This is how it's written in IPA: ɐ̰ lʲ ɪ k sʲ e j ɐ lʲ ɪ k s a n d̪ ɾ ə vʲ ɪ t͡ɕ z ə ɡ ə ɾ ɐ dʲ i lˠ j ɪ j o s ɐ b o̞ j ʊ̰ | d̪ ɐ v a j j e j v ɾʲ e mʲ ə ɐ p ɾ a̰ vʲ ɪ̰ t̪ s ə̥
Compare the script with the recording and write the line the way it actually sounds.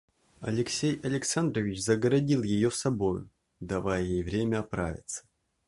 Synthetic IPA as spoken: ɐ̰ lʲ ɪ k sʲ e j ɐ lʲ ɪ k s a n d̪ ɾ ə vʲ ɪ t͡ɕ z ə ɡ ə ɾ ɐ dʲ i lˠ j ɪ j o s ɐ b o̞ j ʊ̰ | d̪ ɐ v a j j e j v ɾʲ e mʲ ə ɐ p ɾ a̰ vʲ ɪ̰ t̪ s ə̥